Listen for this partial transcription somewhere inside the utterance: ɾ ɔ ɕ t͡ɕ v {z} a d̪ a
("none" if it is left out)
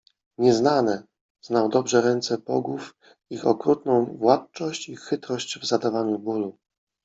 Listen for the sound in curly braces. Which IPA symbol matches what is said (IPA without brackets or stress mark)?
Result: z